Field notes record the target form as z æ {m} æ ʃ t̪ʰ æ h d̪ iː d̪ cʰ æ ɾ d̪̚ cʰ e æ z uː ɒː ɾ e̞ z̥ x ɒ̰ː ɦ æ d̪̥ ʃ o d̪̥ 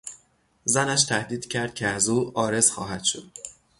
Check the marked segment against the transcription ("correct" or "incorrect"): incorrect